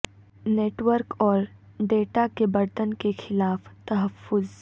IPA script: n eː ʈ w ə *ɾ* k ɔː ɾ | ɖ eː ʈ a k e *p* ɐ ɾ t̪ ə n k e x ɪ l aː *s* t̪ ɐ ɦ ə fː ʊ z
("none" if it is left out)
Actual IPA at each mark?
ɾ, b, f

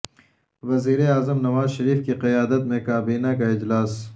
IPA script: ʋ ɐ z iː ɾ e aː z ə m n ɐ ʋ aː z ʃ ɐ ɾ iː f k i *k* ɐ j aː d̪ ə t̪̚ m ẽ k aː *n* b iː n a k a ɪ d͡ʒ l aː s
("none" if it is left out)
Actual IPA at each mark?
q, none

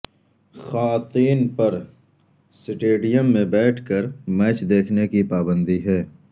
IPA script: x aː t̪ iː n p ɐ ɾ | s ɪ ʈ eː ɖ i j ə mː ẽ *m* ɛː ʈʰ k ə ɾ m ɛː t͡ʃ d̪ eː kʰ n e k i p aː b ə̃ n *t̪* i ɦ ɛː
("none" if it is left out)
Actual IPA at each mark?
b, d̪

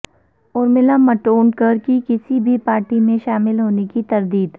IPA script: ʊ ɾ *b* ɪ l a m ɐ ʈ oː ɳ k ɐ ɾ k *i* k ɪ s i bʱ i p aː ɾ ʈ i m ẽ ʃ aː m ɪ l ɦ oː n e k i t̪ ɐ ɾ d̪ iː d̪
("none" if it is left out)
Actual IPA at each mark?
m, i

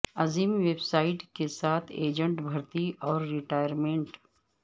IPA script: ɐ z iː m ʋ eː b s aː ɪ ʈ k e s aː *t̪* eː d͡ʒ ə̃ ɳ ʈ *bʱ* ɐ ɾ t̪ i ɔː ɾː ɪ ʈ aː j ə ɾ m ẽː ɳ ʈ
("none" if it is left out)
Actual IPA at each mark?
t̪ʰ, bʱ

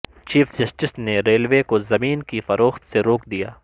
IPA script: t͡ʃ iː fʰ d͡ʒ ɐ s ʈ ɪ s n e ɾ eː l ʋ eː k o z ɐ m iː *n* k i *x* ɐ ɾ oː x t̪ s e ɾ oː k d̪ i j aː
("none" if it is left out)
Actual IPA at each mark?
n, f

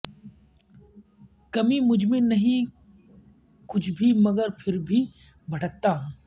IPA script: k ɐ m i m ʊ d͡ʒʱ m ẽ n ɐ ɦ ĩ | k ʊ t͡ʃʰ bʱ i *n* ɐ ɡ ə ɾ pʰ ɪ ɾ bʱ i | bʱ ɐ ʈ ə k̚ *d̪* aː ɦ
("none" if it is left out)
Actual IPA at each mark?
m, t̪

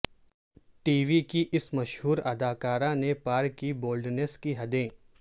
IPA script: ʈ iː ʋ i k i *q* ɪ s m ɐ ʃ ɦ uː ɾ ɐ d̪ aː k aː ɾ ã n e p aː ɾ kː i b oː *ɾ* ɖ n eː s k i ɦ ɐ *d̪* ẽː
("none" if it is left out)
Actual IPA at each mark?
ʔ, l, d̪

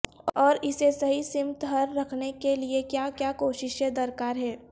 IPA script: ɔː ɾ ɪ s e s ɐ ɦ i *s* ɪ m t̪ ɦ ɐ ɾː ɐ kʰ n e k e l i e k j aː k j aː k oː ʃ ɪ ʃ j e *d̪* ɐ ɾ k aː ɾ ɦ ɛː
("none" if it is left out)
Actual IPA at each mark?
s, d̪

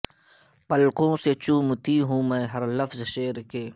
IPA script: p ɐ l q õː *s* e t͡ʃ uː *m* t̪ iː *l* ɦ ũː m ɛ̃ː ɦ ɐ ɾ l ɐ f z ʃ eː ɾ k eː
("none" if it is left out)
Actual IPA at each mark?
s, m, none

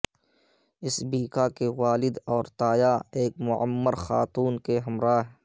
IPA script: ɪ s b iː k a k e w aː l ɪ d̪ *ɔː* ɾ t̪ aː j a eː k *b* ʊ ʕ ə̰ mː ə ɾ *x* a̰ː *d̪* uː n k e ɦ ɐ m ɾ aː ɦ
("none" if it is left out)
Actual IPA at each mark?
ɔː, m, x, t̪

